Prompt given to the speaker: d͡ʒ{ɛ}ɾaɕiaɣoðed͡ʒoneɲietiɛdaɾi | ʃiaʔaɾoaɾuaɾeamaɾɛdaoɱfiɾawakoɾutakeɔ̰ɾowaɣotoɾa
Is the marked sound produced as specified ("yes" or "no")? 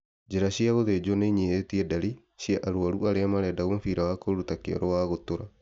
no